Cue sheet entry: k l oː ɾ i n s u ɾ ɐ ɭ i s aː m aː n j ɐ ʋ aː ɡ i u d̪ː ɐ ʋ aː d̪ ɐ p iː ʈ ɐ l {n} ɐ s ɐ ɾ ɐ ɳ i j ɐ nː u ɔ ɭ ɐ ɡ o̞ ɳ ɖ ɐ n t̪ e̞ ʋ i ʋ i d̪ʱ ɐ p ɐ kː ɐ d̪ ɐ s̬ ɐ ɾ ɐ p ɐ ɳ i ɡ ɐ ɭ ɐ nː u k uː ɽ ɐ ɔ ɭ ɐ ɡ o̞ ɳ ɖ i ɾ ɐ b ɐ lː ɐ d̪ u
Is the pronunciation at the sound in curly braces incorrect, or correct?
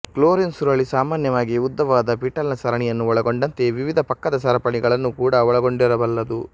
correct